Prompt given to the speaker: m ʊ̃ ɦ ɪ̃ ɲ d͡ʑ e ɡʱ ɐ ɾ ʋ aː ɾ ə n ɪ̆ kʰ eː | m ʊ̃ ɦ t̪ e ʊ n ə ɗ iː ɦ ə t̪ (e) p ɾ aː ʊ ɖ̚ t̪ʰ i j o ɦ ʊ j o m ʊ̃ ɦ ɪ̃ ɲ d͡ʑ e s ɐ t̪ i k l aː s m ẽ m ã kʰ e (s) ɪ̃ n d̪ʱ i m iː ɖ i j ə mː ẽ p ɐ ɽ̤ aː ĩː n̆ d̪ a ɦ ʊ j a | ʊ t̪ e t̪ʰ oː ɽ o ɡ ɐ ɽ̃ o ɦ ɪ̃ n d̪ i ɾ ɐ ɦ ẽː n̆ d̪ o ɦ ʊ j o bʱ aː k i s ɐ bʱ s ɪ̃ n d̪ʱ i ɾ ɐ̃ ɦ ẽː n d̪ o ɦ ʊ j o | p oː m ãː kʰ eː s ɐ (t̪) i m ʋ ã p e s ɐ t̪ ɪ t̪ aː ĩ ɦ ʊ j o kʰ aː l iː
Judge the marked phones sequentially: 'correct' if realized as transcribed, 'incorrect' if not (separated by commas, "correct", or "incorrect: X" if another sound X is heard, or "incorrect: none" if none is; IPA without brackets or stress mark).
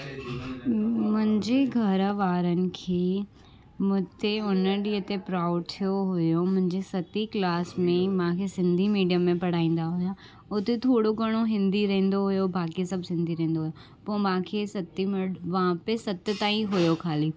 correct, correct, correct